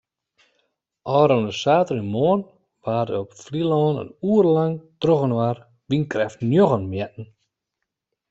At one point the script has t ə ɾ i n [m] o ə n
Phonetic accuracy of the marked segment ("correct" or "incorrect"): correct